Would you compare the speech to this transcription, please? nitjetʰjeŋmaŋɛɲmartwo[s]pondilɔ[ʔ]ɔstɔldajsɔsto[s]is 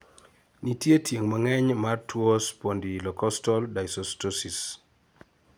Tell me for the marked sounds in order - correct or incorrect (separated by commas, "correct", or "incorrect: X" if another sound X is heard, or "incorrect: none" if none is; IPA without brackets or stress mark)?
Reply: correct, incorrect: k, correct